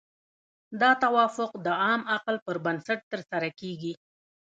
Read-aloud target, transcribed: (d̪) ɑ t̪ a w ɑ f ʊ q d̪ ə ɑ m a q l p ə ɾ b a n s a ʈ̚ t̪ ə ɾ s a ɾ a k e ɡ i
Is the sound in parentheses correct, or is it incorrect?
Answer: correct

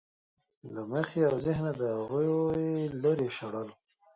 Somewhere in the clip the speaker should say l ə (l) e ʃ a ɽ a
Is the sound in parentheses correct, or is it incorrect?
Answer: incorrect: ɾ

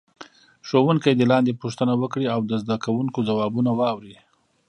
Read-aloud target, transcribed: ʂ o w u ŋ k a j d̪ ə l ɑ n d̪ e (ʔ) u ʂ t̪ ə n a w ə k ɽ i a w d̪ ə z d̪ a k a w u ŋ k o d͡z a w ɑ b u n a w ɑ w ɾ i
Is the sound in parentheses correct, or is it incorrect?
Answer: incorrect: p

